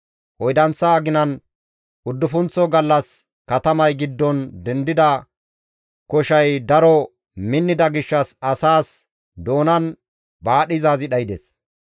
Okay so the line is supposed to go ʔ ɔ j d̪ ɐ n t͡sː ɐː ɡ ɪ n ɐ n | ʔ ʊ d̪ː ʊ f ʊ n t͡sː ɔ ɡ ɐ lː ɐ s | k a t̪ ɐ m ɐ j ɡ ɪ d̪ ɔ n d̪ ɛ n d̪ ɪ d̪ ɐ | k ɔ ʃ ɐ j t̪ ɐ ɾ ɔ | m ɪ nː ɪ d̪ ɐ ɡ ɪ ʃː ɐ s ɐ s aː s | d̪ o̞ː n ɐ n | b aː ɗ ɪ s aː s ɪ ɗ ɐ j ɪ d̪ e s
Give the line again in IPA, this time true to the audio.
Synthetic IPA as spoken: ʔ ɔ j d̪ ɐ n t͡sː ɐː ɡ ɪ n ɐ n | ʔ ʊ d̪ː ʊ f ʊ n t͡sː ɔ ɡ ɐ lː ɐ s | k ɐ t̪ ɐ m ɐ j ɡ ɪ d̪ː ɔ n d̪ ɛ n d̪ ɪ d̪ ɐ | k ɔ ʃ ɐ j d̪ ɐ ɾ ɔ | m ɪ nː ɪ d̪ ɐ ɡ ɪ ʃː ɐ s ɐ s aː s | d̪ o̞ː n ɐ n | b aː ɗ ɪ z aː z ɪ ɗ ɐ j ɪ d̪ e s